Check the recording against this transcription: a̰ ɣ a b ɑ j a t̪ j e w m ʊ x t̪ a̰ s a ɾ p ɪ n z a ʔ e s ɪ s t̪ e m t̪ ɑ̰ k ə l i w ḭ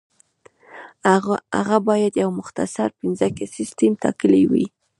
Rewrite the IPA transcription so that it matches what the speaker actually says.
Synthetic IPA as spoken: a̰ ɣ a b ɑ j a d̪ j a w m ʊ x t̪ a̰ s a ɾ p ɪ n z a k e s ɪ s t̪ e m t̪ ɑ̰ k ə l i w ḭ